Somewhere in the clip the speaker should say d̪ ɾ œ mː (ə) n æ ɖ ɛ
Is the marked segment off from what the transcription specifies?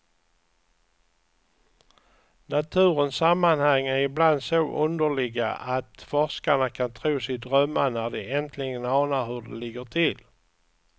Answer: yes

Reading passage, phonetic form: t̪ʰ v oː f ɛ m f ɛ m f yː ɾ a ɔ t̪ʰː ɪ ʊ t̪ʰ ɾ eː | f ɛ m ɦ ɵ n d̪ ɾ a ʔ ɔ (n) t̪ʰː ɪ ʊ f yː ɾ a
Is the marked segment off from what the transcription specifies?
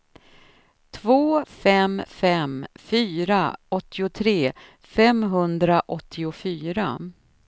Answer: yes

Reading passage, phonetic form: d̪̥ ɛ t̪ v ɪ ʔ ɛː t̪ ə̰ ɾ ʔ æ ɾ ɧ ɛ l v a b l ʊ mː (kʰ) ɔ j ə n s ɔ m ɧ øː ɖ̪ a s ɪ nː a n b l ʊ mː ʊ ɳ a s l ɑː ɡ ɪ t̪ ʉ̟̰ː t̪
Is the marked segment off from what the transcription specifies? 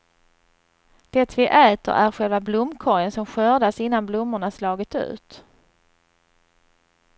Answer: no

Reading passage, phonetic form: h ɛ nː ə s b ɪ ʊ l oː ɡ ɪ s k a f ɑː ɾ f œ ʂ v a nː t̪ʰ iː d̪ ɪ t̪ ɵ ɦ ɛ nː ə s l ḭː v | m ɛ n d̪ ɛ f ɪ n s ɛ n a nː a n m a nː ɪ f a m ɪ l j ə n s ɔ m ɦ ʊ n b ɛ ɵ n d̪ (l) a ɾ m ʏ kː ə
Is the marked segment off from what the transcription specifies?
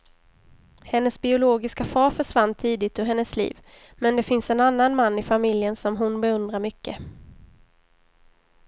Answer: yes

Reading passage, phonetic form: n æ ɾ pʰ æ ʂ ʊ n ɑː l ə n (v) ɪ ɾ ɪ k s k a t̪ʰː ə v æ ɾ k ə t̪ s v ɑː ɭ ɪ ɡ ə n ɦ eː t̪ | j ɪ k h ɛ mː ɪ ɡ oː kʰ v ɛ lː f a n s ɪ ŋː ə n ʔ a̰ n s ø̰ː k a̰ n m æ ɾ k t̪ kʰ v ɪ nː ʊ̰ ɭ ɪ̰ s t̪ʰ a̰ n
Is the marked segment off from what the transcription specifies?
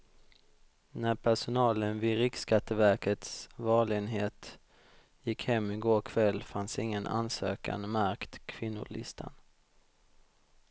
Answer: no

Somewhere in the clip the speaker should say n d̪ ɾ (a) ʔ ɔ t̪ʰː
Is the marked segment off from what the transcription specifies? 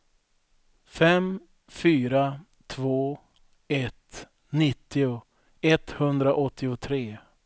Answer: no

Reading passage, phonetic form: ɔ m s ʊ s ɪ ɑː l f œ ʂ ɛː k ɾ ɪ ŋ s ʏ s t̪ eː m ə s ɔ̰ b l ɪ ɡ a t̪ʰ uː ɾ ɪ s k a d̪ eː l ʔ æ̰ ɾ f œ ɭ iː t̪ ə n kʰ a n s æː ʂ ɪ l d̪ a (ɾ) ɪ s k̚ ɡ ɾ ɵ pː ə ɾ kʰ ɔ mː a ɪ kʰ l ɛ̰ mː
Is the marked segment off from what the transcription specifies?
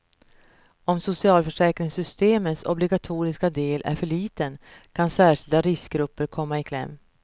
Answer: no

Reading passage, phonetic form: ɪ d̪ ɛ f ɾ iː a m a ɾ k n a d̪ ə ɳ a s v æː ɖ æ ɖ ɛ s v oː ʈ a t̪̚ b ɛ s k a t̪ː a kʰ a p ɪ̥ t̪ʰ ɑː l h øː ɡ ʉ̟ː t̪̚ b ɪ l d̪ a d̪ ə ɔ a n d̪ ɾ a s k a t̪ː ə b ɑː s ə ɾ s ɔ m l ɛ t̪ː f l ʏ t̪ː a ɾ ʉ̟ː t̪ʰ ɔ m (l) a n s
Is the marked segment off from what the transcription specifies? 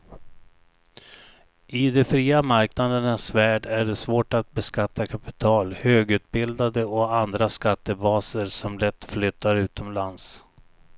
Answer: no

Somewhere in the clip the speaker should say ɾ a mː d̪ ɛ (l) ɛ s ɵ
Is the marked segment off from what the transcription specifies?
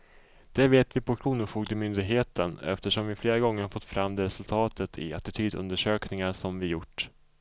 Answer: yes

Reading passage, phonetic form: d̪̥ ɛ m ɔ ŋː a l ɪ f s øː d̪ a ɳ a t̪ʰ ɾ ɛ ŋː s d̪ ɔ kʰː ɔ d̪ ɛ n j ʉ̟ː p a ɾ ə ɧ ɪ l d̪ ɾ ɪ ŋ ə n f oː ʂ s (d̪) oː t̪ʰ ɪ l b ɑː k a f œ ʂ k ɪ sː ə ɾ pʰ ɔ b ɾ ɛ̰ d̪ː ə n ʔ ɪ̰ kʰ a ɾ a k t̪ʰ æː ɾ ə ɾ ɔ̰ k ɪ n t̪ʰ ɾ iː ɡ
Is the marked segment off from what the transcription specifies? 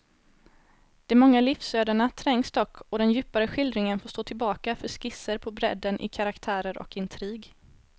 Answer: yes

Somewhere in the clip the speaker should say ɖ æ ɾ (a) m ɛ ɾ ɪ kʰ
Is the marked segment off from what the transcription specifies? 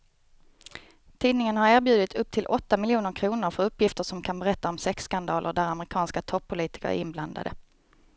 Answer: no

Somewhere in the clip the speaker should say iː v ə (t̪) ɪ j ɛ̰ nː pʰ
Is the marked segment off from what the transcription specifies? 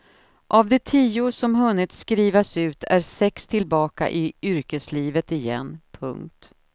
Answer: no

